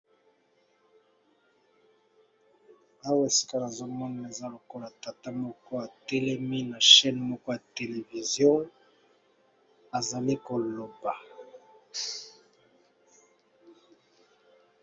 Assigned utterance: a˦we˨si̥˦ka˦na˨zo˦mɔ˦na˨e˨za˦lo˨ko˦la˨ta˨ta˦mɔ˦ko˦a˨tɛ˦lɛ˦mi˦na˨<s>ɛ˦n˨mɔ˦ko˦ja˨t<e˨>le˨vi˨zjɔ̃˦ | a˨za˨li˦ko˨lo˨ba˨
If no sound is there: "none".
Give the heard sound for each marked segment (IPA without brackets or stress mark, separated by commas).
ʃ, e˨